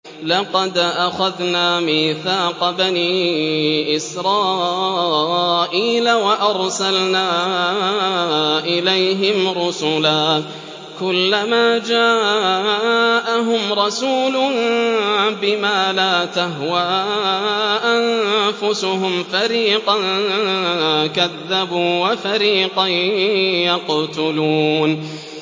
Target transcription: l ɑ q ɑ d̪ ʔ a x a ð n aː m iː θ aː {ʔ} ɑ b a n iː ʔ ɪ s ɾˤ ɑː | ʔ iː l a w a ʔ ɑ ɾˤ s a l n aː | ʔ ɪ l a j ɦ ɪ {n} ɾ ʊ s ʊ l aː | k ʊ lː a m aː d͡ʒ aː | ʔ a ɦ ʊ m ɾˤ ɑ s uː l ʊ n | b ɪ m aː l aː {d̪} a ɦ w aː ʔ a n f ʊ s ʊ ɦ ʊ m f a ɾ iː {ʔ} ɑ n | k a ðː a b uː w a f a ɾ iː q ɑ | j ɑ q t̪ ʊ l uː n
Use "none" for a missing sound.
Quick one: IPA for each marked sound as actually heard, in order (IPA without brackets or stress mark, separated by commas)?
q, m, t̪, q